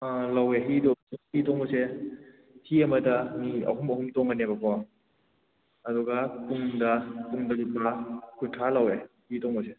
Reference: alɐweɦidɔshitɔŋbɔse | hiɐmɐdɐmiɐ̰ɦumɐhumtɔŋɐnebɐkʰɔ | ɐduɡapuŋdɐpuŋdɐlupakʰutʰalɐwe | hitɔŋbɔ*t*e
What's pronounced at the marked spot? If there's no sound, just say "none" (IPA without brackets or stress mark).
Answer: s